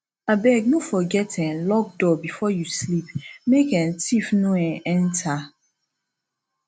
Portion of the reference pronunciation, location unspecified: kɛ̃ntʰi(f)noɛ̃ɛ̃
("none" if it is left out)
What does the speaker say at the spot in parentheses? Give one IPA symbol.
f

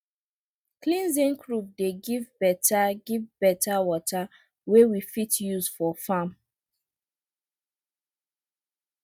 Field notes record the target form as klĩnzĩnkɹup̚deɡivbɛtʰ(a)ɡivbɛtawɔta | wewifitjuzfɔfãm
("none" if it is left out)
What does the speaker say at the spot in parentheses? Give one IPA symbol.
a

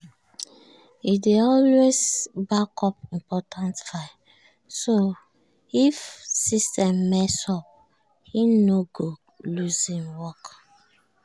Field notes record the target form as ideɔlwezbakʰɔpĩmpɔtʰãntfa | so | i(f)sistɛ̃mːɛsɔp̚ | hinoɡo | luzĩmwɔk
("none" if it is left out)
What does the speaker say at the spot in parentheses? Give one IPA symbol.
f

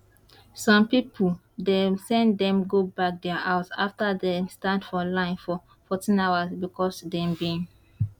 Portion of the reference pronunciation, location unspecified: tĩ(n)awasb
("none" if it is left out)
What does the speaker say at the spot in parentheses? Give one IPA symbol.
n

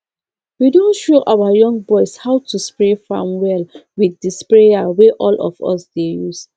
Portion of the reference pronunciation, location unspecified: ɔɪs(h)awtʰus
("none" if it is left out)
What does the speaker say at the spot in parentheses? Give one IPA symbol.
h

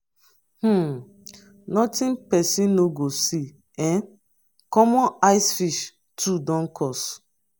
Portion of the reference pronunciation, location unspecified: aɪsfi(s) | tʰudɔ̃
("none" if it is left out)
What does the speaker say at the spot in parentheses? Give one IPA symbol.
ʃ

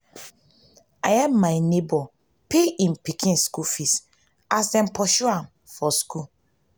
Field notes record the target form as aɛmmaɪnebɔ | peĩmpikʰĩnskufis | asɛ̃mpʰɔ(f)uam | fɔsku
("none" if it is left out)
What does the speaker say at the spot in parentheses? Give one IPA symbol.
ʃ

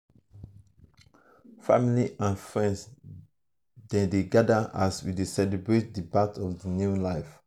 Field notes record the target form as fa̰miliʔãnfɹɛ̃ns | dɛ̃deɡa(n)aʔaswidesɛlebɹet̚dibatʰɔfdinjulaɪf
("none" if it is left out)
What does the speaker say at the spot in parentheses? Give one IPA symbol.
d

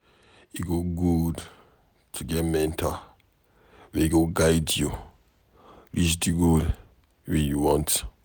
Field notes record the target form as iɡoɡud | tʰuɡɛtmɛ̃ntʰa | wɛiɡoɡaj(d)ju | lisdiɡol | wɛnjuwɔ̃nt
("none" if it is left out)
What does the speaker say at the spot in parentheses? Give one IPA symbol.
d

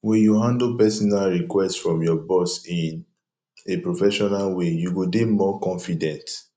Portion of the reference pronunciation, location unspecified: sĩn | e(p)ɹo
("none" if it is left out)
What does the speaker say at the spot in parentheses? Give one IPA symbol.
p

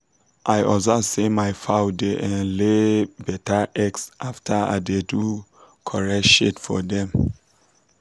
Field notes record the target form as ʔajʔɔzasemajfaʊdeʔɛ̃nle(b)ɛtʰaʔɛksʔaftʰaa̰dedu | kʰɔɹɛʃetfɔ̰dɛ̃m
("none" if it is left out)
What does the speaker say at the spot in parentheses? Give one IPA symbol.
b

